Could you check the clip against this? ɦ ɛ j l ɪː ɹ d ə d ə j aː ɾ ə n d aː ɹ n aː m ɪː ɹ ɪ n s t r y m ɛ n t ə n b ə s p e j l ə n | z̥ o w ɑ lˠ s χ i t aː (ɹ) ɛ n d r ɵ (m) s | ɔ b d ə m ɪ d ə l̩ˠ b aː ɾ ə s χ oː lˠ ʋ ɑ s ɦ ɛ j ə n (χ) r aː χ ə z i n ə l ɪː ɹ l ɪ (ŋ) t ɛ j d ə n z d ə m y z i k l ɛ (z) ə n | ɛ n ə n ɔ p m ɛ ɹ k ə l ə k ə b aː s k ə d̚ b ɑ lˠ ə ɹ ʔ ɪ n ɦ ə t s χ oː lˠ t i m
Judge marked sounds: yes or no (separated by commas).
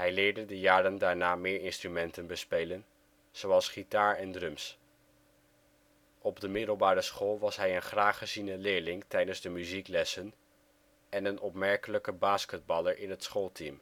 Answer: yes, yes, yes, yes, no